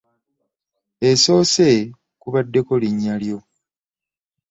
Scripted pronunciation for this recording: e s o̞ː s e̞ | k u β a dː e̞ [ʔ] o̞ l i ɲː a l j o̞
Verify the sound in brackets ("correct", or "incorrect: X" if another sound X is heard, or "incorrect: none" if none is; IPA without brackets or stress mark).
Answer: incorrect: k